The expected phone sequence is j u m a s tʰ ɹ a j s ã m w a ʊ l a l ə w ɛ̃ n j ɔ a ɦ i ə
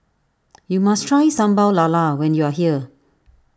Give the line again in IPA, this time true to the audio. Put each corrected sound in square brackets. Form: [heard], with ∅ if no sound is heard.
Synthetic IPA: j u m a s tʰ ɹ a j s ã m [b] a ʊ l a l [a] w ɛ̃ n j [u] a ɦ i ə